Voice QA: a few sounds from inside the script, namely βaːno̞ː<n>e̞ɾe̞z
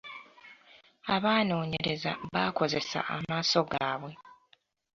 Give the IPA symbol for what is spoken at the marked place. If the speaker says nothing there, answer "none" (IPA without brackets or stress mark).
ɲ